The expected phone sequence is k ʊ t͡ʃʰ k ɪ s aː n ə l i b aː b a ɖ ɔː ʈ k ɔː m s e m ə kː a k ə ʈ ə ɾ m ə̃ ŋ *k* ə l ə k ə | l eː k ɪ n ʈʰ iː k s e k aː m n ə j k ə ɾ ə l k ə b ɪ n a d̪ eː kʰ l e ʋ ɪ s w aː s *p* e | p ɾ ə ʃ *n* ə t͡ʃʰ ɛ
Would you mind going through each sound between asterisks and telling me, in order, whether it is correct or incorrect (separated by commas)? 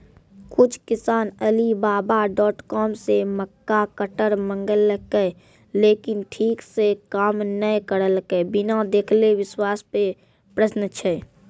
incorrect, correct, correct